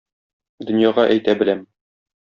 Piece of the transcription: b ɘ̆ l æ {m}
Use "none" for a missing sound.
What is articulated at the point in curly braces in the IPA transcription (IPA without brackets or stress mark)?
m